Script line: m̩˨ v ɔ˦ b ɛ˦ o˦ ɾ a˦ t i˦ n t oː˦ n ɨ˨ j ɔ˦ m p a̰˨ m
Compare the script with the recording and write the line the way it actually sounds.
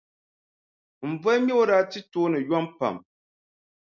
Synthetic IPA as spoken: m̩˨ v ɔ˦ m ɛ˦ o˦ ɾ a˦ t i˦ t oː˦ n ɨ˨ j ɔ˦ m p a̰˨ m